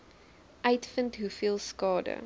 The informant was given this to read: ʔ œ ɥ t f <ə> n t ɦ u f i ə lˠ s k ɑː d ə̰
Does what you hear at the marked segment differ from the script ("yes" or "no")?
no